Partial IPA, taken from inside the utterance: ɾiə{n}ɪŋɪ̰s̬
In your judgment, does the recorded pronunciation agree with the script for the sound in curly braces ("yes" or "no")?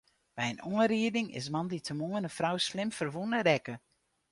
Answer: no